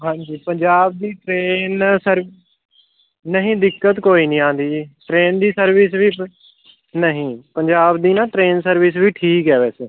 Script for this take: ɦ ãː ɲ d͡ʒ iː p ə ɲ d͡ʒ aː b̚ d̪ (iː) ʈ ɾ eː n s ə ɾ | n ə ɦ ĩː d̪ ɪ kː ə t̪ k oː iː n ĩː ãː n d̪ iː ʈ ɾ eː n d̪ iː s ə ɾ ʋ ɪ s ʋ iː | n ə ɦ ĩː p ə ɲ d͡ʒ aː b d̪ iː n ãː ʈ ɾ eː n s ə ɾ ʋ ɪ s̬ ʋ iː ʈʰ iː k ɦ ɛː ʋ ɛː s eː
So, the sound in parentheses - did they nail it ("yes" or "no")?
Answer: yes